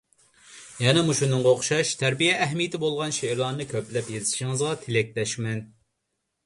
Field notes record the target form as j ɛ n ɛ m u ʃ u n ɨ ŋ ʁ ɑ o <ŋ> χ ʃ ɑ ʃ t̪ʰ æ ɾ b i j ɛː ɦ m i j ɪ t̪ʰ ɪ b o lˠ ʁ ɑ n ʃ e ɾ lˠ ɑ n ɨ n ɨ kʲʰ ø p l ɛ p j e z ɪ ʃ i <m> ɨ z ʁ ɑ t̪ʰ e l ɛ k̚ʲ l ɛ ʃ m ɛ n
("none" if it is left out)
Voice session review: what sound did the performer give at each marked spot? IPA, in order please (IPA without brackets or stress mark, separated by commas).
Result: none, ŋ